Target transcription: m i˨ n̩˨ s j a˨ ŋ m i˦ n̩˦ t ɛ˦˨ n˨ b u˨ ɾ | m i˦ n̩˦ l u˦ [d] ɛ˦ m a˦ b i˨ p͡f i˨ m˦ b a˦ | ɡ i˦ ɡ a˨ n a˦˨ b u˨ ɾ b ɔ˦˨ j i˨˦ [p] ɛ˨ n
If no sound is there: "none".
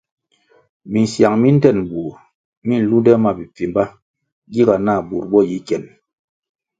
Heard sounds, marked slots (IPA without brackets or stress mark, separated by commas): d, k